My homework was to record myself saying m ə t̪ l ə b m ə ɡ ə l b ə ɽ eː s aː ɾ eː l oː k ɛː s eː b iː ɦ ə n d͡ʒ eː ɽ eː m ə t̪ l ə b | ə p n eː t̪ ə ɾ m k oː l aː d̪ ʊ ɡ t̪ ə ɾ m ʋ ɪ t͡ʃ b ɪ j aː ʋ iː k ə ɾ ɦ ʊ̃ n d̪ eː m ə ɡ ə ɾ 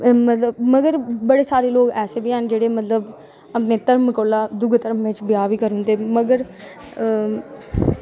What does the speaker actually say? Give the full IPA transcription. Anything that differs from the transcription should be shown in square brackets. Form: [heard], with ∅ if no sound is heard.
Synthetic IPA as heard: m ə t̪ l ə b m ə ɡ ə [ɾ] b ə ɽ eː s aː ɾ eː l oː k ɛː s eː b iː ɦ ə n d͡ʒ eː ɽ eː m ə t̪ l ə b | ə p n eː t̪ ə ɾ m k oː l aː d̪ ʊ ɡ t̪ ə ɾ m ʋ ɪ t͡ʃ b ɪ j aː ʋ iː k ə ɾ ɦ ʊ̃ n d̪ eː m ə ɡ ə ɾ

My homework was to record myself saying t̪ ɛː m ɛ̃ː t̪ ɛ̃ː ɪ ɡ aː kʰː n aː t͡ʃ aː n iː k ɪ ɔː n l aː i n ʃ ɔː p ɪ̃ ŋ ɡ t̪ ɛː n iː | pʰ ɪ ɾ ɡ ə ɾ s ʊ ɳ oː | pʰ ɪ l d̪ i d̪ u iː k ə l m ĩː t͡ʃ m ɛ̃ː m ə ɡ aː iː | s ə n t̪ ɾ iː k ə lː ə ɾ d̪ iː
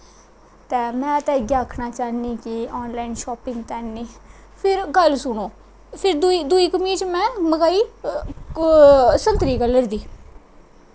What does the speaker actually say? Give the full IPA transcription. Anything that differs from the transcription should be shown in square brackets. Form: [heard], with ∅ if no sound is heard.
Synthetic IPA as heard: t̪ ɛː m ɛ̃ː t̪ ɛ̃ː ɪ ɡ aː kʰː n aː t͡ʃ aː n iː k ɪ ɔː n l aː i n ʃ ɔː p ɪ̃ ŋ ɡ t̪ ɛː n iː | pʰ ɪ ɾ ɡ ə [l] s ʊ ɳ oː | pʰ ɪ [ɾ] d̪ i d̪ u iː k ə [∅] m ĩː t͡ʃ m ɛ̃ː m ə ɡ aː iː | s ə n t̪ ɾ iː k ə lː ə ɾ d̪ iː

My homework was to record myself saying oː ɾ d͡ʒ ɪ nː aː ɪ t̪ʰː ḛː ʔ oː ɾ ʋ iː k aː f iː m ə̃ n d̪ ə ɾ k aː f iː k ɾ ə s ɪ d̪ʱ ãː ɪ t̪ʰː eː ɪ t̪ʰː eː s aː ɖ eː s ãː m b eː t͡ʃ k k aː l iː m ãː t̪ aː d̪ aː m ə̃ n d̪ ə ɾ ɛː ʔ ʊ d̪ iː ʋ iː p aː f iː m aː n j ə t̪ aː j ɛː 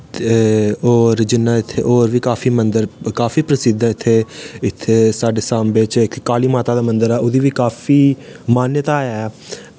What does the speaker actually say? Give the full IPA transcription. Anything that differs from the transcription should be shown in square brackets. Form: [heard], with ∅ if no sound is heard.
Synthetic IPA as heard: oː ɾ d͡ʒ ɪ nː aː ɪ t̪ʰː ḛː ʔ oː ɾ ʋ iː k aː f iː m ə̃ n d̪ ə ɾ k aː f iː [p] ɾ ə s ɪ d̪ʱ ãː ɪ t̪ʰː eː ɪ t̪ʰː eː s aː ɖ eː s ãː m b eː t͡ʃ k k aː l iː m [aː] t̪ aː d̪ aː m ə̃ n d̪ ə ɾ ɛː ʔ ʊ d̪ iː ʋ iː [k] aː f iː m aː n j ə t̪ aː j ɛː

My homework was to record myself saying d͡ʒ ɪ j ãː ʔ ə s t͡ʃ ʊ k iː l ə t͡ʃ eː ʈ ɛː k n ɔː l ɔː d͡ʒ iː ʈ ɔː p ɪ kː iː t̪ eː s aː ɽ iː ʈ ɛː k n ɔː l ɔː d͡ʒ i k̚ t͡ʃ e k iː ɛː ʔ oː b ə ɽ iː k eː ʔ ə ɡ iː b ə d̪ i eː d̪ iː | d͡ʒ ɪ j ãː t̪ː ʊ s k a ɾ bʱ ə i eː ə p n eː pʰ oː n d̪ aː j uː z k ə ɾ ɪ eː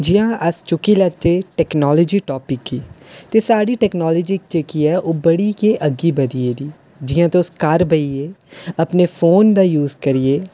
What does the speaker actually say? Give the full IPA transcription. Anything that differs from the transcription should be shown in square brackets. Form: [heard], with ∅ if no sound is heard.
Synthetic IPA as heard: d͡ʒ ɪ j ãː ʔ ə s t͡ʃ ʊ k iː l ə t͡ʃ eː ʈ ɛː k n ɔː l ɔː d͡ʒ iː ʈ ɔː p ɪ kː iː t̪ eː s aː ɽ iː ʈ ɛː k n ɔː l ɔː d͡ʒ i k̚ t͡ʃ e k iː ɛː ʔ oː b ə ɽ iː k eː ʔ ə ɡ iː b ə d̪ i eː d̪ iː | d͡ʒ ɪ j ãː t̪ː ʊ s k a ɾ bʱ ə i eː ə p n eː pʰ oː n d̪ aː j uː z k ə ɾ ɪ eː

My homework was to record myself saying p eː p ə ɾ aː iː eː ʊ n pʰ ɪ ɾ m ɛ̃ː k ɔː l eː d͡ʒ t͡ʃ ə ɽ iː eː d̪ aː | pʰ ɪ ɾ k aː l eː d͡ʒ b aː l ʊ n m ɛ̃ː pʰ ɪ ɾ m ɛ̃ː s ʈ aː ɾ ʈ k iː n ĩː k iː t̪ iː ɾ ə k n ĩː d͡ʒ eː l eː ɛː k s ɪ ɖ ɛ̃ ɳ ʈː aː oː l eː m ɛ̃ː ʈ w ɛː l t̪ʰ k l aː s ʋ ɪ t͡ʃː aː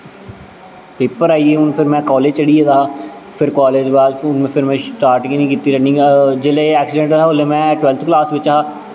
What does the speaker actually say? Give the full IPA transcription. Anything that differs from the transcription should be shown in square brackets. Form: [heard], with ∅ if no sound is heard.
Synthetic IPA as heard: p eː p ə ɾ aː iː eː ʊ n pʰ ɪ ɾ m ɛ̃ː k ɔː l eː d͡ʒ t͡ʃ ə ɽ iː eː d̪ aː | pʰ ɪ ɾ k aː l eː d͡ʒ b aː l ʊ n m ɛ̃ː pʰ ɪ ɾ m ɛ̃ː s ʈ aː ɾ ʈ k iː n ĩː k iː t̪ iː ɾ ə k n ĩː d͡ʒ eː l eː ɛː k s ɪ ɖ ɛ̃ ɳ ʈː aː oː l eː m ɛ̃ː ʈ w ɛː l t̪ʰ k l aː s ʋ ɪ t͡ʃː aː

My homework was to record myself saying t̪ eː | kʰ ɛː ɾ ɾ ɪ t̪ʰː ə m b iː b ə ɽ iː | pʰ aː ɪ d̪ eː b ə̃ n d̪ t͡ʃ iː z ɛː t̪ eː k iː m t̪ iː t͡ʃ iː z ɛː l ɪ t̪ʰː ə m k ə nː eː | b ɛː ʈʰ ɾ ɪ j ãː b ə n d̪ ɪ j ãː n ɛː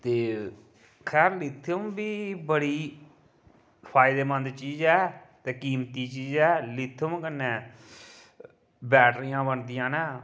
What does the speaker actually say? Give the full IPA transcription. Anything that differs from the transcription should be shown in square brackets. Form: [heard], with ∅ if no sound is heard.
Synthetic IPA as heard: t̪ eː | kʰ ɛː ɾ [l] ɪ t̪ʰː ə m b iː b ə ɽ iː | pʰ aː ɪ d̪ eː [m] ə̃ n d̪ t͡ʃ iː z ɛː t̪ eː k iː m t̪ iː t͡ʃ iː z ɛː l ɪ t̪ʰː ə m k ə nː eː | b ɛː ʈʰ ɾ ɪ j ãː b ə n d̪ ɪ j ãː n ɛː

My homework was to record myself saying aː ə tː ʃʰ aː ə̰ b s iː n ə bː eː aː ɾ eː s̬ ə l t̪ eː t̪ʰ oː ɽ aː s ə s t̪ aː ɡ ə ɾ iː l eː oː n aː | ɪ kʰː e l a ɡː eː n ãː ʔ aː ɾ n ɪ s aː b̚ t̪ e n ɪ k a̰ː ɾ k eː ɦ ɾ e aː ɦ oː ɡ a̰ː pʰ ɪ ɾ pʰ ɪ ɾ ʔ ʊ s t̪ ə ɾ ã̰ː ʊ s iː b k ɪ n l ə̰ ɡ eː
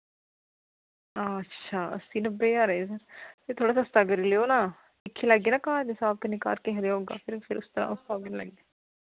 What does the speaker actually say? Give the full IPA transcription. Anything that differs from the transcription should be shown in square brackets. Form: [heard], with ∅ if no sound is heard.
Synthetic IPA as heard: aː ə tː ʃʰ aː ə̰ [∅] s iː n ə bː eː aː ɾ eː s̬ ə [ɾ] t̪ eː t̪ʰ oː ɽ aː s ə s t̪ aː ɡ ə ɾ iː l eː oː n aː | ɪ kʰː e l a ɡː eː n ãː [k] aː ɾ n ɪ s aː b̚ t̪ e n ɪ k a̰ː ɾ k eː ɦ ɾ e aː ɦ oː ɡ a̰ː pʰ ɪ ɾ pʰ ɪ ɾ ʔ ʊ s t̪ ə ɾ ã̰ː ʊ s [aː] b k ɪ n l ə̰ ɡ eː

